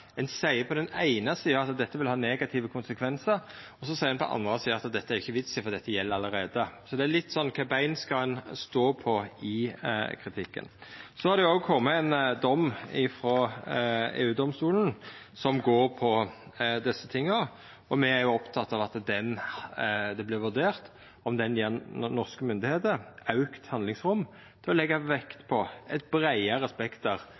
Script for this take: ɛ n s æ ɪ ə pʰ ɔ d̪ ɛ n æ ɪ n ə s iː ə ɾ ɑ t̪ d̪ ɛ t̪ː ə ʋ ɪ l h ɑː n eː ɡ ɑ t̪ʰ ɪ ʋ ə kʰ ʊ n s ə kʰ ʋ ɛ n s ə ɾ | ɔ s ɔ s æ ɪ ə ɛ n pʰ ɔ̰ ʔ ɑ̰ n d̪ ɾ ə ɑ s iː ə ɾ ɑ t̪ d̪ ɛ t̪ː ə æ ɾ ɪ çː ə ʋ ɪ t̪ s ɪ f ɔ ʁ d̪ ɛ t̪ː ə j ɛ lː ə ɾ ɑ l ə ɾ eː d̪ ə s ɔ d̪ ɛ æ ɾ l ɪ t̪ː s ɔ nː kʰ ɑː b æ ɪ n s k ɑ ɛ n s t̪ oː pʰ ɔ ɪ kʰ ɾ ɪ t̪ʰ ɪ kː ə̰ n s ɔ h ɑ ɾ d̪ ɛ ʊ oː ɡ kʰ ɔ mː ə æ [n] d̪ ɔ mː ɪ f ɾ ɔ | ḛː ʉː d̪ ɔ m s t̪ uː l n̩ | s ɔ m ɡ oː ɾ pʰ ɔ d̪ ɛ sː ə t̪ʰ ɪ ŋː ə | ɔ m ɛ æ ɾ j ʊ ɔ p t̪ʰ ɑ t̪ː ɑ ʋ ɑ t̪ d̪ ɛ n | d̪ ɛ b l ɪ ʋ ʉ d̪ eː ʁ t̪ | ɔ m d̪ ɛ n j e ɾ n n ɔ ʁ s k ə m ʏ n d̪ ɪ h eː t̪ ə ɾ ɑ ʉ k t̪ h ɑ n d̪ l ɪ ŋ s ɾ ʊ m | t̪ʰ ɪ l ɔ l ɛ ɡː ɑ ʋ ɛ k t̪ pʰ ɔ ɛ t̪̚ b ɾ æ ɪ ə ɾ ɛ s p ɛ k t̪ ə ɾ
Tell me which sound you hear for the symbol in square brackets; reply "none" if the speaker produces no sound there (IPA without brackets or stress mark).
n